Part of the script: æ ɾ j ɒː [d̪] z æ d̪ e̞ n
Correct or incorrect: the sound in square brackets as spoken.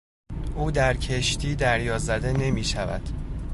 incorrect: none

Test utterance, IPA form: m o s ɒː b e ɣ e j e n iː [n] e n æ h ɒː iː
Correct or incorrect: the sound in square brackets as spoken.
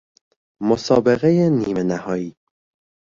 incorrect: m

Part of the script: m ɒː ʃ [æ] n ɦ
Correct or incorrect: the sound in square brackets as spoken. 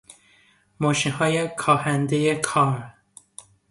incorrect: i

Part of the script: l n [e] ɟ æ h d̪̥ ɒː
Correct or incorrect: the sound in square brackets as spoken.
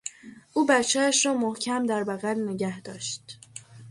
correct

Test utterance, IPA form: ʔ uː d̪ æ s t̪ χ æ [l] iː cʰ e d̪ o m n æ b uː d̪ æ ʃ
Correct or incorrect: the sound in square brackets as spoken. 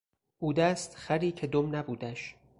incorrect: ɾ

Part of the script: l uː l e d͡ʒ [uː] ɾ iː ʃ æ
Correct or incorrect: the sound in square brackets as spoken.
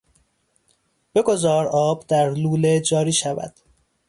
incorrect: ɒː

